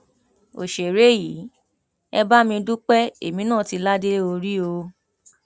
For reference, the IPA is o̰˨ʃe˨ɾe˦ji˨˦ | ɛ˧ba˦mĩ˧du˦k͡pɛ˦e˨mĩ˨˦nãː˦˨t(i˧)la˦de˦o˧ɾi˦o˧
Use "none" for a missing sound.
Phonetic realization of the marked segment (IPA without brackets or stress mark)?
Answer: i˧